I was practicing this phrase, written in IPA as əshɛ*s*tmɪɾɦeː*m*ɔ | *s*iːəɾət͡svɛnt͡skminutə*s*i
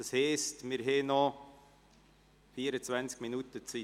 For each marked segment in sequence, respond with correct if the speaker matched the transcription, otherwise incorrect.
correct, incorrect: n, incorrect: f, incorrect: t͡s

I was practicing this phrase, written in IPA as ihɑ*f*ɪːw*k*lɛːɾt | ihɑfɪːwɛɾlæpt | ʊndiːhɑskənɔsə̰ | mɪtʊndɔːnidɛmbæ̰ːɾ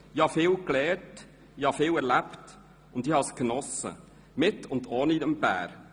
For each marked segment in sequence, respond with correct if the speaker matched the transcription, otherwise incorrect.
correct, correct

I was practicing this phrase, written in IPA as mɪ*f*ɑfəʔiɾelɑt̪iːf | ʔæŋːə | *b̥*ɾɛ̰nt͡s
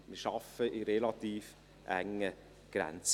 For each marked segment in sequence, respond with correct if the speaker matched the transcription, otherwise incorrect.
incorrect: ʃ, incorrect: ɡ̥

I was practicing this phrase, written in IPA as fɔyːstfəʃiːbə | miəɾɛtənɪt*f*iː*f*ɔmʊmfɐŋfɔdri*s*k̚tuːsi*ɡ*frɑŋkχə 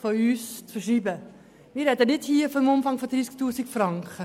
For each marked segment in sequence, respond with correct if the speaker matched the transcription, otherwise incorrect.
incorrect: h, correct, correct, incorrect: k

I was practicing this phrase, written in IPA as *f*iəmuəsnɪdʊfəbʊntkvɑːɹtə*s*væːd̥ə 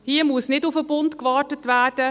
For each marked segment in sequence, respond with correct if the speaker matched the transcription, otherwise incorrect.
incorrect: h, incorrect: t

